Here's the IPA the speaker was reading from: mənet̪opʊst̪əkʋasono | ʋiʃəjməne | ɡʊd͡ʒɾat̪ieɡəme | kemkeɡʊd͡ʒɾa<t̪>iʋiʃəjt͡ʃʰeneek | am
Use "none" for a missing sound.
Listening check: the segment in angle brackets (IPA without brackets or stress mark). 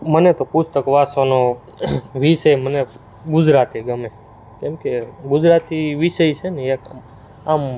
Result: t̪